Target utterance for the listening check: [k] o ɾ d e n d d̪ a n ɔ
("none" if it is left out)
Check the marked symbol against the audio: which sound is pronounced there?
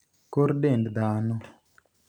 k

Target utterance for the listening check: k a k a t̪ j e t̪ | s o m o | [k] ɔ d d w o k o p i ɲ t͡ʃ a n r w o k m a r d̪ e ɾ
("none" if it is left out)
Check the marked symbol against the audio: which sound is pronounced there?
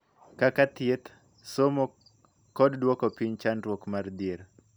k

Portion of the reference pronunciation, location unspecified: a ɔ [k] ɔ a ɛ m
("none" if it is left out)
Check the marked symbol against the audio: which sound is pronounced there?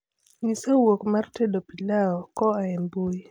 k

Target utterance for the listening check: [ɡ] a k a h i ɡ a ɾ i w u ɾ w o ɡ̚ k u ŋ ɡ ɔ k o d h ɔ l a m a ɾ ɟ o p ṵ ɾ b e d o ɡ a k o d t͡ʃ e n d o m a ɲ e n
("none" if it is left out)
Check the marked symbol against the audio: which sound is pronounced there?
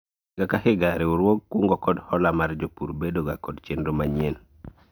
ɡ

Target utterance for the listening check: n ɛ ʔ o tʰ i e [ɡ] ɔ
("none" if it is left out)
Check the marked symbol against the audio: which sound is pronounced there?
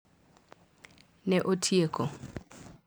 k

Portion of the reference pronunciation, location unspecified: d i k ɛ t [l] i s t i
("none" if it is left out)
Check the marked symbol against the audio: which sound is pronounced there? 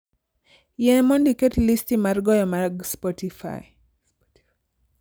l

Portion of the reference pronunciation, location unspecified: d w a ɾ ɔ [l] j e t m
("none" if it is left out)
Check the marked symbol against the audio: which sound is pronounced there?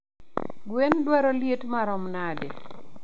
l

